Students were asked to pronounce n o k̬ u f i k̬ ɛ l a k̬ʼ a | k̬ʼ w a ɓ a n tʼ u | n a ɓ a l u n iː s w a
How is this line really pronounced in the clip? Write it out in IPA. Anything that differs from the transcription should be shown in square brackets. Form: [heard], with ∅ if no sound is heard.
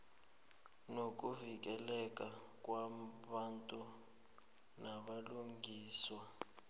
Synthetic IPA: n o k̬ u [v] i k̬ ɛ l [ɛ] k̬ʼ a | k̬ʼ w a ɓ a n tʼ u | n a ɓ a l u [ŋ] iː s w a